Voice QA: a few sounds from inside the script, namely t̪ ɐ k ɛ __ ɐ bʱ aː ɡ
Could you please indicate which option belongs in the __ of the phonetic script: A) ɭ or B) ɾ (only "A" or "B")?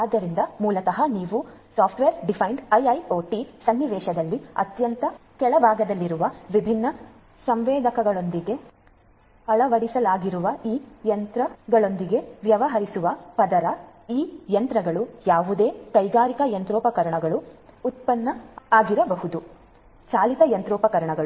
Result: A